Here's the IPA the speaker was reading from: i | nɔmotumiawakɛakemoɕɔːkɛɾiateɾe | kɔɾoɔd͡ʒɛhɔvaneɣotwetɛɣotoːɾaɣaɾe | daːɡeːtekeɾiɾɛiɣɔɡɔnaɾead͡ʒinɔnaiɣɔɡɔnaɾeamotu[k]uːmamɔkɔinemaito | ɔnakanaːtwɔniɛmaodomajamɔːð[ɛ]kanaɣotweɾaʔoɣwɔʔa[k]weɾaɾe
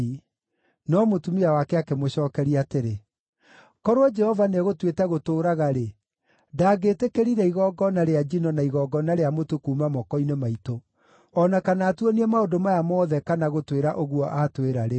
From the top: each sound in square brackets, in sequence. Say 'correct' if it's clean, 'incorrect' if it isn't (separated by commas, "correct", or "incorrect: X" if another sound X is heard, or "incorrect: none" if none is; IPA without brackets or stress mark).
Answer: correct, correct, incorrect: t